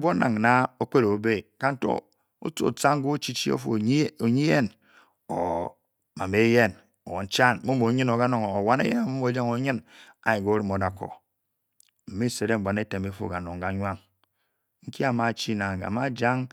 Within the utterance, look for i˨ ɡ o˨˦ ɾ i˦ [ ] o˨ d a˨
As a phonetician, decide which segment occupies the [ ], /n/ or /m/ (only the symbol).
m